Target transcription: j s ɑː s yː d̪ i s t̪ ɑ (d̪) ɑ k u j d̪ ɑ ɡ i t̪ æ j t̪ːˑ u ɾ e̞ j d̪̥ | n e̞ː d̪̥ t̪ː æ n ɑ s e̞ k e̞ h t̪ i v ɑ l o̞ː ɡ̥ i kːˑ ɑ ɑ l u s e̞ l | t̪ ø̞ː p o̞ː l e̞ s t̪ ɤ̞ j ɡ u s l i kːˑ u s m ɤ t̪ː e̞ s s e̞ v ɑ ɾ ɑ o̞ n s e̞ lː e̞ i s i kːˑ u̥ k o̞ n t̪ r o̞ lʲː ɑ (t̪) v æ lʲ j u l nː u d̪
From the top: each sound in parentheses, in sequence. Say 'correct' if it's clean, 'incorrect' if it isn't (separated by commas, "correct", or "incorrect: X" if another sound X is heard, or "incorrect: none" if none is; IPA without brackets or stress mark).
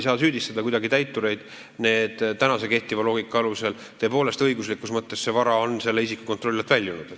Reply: correct, correct